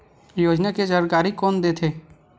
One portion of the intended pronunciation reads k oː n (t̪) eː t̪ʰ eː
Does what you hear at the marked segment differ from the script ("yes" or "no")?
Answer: yes